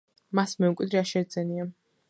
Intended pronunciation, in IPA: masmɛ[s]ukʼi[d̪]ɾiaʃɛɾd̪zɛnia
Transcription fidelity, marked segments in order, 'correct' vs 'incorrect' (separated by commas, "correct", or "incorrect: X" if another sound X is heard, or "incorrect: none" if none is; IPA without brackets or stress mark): incorrect: none, correct